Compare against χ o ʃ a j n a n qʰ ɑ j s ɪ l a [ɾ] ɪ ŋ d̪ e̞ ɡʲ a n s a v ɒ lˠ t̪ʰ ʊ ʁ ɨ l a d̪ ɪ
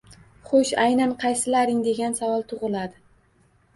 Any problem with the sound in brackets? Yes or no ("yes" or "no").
no